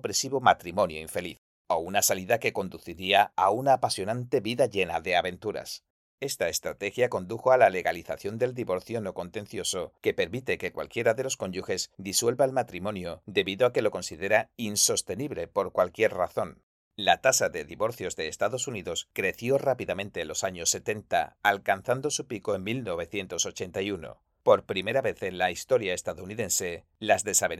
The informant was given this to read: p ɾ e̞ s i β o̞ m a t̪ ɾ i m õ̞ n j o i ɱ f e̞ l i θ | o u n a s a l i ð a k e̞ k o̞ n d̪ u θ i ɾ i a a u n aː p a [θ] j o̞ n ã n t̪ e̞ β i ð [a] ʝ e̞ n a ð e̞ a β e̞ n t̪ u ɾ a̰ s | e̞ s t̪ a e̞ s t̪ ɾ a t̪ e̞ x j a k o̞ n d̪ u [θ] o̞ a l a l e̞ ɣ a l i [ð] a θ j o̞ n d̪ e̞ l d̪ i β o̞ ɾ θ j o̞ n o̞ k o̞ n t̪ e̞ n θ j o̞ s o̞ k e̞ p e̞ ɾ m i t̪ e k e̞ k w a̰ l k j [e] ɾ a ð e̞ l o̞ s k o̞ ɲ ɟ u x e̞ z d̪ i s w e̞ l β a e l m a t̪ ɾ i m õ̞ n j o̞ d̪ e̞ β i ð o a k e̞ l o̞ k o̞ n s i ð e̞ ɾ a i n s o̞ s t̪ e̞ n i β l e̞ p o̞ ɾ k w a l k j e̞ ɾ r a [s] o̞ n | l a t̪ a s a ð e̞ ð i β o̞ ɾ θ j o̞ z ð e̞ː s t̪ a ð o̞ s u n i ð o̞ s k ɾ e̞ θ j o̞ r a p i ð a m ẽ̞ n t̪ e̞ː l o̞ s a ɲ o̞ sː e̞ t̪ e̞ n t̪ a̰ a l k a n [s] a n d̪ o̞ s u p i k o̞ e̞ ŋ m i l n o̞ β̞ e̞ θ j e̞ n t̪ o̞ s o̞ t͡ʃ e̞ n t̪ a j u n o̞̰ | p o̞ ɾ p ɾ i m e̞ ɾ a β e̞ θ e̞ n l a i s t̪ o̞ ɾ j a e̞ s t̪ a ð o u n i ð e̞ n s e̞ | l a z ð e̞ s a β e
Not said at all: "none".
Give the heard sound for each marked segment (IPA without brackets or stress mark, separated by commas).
s, a, x, θ, e, θ, θ